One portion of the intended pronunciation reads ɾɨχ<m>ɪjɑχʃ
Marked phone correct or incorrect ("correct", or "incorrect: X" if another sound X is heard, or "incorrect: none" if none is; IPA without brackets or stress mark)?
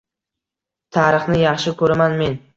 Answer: incorrect: n